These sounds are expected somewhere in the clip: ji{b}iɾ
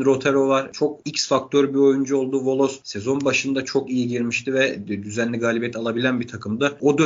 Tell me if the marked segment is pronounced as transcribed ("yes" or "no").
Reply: no